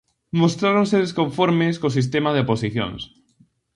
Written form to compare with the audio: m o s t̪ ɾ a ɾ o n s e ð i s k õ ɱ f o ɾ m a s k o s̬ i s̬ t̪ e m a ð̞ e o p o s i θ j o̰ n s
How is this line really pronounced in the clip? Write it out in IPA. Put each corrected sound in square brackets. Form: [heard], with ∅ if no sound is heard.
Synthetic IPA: m o s t̪ ɾ a ɾ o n s e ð [e] s k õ ɱ f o ɾ m [e] s k o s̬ i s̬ t̪ e m a ð̞ e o p o s i θ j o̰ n s